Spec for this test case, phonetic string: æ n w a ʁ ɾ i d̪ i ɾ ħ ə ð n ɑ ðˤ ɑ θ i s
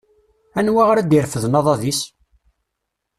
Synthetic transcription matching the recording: æ n w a ʁ ɾ æ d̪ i ɾ f ə ð n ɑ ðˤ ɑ ð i s